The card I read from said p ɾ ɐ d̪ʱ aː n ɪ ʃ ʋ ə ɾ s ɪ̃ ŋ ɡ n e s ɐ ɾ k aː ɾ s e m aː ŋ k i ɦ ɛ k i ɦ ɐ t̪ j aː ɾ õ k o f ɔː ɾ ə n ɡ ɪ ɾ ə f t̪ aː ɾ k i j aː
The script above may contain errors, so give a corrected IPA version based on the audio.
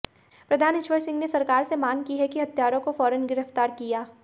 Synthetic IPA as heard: p ɾ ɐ d̪ʱ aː n ɪ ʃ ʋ ə ɾ s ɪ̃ ŋ ɡ n e s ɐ ɾ k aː ɾ s e m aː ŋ k i ɦ ɛ k i ɦ ɐ t̪ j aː ɾ õ k o f ɔː ɾ ə n ɡ ɪ ɾ ə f t̪ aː ɾ k i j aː